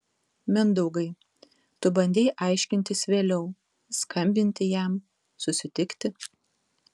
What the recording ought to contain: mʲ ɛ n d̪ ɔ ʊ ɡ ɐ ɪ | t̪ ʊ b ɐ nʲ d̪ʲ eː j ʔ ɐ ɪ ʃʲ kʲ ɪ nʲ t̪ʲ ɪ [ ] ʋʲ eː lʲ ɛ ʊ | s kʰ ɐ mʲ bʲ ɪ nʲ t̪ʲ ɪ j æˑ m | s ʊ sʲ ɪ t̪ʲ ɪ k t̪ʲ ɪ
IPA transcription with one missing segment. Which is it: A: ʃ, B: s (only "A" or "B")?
B